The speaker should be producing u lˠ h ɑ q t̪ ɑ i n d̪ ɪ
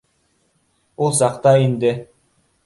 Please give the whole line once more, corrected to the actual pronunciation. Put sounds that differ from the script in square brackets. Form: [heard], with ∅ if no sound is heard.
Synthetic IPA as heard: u lˠ [s] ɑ q t̪ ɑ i n d̪ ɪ